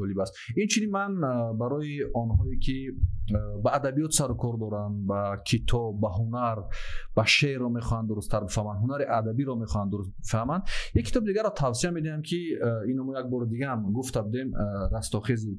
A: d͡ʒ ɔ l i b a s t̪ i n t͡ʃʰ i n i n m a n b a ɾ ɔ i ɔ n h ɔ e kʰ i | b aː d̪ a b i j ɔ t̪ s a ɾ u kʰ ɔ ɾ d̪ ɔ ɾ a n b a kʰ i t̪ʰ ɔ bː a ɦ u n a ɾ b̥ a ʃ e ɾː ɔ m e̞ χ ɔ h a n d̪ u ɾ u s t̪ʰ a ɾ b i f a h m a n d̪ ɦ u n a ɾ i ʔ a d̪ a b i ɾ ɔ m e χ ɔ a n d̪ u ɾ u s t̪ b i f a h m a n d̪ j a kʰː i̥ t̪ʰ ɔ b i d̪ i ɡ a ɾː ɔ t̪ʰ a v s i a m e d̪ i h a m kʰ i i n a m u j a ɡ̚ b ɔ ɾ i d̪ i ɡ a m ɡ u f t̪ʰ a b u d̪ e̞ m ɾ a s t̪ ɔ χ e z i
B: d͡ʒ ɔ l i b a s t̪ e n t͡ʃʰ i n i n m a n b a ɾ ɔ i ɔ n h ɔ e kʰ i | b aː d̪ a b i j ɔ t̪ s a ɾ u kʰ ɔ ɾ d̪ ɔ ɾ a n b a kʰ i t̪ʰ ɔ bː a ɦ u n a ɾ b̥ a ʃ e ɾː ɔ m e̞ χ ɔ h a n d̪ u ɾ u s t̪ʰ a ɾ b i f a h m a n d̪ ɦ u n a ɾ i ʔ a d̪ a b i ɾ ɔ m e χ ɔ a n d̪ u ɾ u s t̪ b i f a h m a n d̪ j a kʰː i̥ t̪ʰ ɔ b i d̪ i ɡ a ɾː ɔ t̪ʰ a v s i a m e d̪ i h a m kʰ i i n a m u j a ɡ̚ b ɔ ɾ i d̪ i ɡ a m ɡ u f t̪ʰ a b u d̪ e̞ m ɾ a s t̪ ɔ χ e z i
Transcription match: A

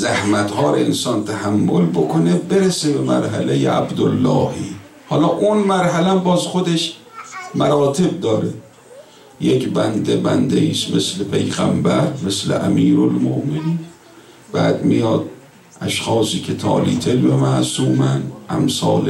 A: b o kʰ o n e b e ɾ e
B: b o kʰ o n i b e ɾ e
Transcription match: A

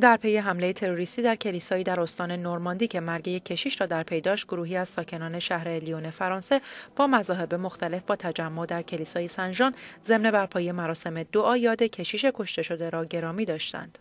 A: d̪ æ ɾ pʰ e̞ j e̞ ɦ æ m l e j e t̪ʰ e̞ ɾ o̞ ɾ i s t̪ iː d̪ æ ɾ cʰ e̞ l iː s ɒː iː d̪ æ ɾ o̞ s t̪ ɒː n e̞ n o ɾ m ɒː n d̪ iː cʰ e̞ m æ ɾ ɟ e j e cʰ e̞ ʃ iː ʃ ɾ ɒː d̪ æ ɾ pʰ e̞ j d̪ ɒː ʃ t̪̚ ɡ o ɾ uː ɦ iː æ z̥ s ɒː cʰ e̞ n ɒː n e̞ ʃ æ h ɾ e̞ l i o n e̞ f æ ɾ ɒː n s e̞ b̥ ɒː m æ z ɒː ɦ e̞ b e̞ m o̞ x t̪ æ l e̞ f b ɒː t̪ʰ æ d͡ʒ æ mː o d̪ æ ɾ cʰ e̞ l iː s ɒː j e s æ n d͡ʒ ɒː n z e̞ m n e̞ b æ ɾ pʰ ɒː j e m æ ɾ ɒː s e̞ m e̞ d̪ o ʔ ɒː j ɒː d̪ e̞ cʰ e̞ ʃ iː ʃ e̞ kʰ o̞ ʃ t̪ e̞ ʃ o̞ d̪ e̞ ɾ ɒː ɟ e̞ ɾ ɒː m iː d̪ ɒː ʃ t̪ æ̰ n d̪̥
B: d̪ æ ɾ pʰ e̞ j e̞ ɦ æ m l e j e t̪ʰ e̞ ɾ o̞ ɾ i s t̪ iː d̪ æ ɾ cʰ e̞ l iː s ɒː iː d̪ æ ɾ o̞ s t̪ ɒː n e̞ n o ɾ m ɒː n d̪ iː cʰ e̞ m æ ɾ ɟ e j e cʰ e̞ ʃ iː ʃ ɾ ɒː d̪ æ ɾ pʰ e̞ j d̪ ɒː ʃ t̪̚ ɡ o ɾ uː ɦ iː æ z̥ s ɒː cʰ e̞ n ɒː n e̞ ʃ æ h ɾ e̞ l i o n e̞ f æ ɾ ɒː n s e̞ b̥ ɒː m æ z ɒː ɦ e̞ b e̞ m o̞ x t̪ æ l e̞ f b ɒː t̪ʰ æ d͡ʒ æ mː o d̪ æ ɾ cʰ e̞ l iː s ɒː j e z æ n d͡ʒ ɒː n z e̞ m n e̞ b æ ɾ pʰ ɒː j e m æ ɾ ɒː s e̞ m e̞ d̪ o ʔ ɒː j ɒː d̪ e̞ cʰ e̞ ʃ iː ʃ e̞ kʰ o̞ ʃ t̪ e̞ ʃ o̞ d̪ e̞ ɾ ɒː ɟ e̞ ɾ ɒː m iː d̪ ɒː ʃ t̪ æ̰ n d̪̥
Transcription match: A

